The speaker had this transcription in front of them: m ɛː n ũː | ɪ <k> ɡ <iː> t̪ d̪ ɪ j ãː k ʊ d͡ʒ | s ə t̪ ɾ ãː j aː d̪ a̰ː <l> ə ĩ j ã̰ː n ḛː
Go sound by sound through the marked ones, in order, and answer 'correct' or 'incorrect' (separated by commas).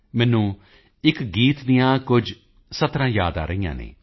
correct, correct, incorrect